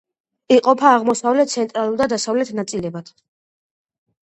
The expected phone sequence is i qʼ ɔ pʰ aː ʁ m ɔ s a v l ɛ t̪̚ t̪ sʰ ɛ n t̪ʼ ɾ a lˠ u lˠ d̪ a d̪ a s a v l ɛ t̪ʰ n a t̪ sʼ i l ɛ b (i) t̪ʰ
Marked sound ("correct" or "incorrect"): incorrect